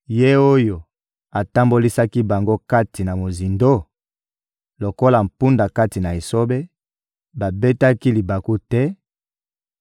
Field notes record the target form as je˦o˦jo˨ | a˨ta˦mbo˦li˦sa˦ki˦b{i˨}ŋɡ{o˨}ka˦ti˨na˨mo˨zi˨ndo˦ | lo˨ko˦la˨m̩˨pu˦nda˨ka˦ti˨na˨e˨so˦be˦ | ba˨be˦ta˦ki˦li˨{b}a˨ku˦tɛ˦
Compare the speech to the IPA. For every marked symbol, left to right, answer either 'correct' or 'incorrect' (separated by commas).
incorrect, incorrect, correct